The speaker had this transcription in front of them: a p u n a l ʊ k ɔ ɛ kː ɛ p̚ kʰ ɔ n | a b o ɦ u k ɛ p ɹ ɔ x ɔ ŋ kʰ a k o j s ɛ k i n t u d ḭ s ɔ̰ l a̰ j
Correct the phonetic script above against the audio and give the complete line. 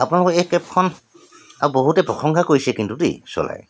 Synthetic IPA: a p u n a l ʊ k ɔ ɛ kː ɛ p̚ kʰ ɔ n | a b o ɦ u t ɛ p ɹ ɔ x ɔ ŋ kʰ a k o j s ɛ k i n t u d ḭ s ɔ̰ l a̰ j